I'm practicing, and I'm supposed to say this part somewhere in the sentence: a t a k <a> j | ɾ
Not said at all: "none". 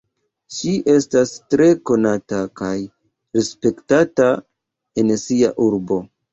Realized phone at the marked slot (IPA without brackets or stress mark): a